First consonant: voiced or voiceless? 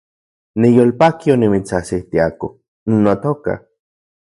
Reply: voiced